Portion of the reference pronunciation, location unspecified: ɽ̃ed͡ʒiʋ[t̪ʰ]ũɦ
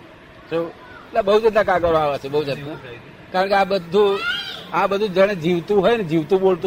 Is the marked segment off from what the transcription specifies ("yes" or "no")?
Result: yes